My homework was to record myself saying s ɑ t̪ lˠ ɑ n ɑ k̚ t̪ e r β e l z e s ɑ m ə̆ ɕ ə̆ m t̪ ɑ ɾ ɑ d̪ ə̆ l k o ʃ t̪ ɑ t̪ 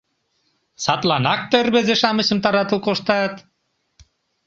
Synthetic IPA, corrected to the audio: s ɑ t̪ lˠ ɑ n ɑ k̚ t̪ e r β e z e ʃ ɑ m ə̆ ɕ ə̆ m t̪ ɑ ɾ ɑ t̪ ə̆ l k o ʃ t̪ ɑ t̪